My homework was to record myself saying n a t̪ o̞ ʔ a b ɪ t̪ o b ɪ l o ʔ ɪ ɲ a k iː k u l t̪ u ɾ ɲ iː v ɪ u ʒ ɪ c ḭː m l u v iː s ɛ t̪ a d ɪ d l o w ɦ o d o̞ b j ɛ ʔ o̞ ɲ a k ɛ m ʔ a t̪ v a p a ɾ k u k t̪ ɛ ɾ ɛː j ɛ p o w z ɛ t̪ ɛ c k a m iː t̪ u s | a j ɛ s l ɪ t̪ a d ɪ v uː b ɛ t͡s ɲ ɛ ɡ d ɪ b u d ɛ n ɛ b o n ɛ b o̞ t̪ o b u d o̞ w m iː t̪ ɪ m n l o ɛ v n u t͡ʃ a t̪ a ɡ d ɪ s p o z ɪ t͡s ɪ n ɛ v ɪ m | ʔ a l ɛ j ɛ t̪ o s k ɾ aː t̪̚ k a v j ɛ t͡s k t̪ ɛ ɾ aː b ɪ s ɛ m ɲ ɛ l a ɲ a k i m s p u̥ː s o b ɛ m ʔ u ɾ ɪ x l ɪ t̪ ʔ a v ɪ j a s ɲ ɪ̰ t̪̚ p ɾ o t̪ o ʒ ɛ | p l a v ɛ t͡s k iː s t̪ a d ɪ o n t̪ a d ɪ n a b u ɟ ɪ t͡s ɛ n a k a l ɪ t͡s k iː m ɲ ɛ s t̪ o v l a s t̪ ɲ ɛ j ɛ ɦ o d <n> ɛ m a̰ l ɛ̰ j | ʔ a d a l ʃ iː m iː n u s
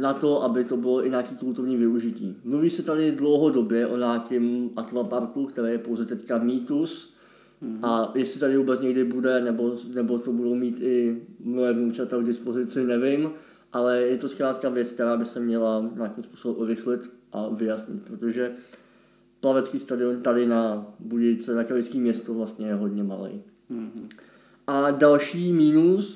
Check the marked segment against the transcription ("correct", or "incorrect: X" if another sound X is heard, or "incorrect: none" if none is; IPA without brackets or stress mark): incorrect: ɲ